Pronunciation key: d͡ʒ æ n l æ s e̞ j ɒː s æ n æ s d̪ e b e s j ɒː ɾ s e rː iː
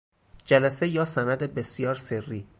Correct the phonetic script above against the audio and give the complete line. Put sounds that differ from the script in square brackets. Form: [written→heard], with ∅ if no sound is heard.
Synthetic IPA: d͡ʒ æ [n→∅] l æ s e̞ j ɒː s æ n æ [s→∅] d̪ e b e s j ɒː ɾ s e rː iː